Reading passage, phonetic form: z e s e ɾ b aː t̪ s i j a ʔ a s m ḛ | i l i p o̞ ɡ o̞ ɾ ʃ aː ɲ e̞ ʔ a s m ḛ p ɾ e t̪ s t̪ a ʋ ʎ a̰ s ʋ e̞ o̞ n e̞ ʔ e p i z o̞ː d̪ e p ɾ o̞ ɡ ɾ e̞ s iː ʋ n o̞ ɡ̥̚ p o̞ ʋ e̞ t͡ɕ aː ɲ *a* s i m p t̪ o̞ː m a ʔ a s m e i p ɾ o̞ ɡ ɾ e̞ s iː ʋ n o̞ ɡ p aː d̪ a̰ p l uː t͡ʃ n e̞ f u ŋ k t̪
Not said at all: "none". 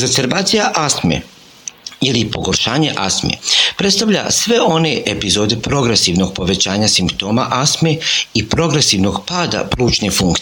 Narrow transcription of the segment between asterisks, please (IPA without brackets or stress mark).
a